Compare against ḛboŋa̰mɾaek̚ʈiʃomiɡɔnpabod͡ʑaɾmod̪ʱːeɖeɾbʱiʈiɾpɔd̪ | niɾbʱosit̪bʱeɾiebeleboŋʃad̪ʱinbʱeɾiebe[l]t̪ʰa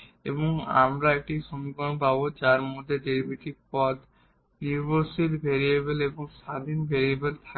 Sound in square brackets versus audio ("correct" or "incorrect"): correct